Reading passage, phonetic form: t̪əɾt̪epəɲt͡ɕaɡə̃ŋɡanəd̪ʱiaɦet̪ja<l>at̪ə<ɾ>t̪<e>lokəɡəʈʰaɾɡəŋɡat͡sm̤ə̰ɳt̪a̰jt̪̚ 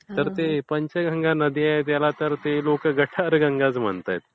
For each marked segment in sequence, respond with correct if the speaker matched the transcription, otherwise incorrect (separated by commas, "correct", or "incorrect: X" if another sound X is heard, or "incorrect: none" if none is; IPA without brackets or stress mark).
correct, correct, correct